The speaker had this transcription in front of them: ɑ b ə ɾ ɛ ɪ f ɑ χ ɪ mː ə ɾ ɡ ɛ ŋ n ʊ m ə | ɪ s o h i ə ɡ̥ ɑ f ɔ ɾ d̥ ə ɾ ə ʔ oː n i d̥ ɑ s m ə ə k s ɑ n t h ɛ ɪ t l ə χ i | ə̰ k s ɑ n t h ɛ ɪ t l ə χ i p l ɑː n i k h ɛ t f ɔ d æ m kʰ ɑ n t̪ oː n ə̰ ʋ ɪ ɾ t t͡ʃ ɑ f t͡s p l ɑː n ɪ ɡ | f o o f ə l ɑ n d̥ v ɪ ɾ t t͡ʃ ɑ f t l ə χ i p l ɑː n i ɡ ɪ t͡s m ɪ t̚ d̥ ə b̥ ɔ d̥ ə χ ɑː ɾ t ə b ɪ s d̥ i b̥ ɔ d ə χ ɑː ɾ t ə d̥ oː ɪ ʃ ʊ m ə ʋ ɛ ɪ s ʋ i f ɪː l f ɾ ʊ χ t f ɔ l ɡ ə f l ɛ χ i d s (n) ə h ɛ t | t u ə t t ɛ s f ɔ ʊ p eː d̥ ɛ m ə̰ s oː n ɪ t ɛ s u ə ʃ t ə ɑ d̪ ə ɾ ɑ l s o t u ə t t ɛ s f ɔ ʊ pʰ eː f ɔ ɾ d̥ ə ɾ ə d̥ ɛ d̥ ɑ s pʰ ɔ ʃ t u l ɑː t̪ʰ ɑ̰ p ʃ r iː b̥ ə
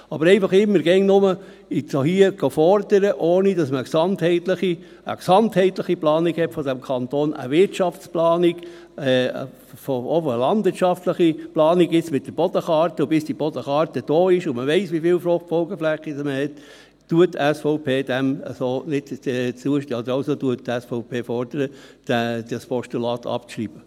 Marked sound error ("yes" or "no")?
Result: yes